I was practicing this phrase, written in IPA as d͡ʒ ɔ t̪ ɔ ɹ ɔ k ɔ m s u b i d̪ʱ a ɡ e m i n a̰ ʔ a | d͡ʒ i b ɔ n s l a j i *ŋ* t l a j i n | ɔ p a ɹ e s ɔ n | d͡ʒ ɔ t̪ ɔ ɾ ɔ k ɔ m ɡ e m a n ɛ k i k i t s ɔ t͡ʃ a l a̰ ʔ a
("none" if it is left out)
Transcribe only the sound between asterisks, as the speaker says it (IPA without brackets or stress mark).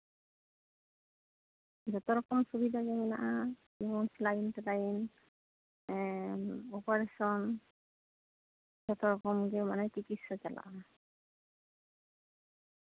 n